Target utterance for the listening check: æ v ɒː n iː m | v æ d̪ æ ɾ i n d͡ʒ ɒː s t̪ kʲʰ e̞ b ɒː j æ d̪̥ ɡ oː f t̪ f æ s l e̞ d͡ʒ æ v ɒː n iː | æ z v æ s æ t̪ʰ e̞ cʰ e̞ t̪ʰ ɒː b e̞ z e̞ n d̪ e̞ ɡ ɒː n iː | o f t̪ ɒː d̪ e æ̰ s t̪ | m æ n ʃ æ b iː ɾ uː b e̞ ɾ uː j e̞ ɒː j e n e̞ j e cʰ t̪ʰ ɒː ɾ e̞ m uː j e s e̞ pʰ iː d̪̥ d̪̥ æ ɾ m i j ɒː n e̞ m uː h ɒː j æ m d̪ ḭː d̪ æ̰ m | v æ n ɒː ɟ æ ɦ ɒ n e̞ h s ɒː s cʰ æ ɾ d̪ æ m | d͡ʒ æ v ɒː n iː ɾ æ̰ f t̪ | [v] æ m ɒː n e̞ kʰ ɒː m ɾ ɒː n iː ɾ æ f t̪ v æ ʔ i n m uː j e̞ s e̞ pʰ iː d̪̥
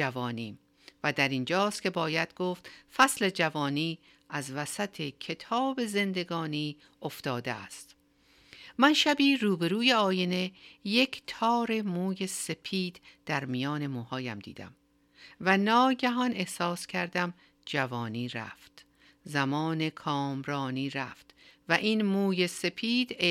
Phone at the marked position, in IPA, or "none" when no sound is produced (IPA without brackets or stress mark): z